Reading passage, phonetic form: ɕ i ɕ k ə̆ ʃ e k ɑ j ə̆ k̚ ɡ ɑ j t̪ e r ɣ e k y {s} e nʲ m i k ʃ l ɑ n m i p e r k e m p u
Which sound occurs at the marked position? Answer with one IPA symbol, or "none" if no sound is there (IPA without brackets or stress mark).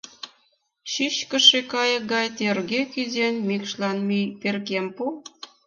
z